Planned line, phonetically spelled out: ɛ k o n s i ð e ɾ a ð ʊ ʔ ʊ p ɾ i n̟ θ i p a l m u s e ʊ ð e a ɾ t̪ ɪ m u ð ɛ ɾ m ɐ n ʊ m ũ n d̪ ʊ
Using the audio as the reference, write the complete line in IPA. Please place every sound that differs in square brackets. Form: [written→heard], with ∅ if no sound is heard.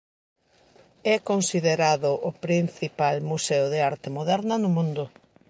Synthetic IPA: ɛ k o n s i ð e ɾ a ð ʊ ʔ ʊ p ɾ i n̟ θ i p a l m u s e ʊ ð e a ɾ t̪ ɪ m [u→o] ð ɛ ɾ [m→n] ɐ n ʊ m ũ n d̪ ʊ